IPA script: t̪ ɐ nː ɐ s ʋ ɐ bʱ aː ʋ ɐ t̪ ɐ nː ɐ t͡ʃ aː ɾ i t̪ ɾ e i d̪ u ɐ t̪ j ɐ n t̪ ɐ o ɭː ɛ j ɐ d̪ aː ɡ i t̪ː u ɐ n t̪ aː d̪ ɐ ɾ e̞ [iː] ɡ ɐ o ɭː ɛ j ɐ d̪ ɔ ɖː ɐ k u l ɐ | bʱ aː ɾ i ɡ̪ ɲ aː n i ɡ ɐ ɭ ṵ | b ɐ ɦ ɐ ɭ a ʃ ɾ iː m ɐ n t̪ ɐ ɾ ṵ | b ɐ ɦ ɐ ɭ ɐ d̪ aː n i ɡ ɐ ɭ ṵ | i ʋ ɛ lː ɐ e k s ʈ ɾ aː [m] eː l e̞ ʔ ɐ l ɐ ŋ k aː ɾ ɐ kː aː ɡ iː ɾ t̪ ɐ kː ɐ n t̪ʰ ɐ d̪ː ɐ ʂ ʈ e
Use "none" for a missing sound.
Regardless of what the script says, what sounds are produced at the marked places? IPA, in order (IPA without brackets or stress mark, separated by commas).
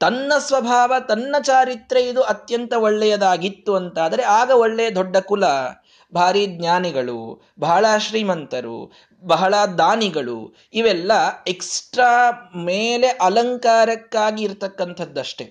aː, m